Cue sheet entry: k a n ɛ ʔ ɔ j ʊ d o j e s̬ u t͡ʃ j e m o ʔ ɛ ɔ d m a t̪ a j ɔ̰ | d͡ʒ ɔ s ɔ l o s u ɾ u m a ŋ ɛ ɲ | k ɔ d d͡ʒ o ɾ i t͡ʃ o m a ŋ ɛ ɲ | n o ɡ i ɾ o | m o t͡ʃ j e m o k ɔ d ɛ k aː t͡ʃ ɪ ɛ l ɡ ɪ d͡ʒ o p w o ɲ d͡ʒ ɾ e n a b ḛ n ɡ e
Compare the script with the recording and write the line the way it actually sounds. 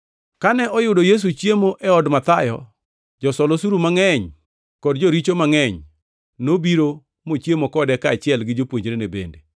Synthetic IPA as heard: k a n ɛ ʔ ɔ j ʊ d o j e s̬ u t͡ʃ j e m o ʔ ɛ ɔ d m a t̪ a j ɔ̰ | d͡ʒ ɔ s ɔ l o s u ɾ u m a ŋ ɛ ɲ | k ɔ d d͡ʒ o ɾ i t͡ʃ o m a ŋ ɛ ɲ | n o b i ɾ o | m o t͡ʃ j e m o k ɔ d ɛ k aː t͡ʃ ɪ ɛ l ɡ ɪ d͡ʒ o p w o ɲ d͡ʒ ɾ e n e b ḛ n d e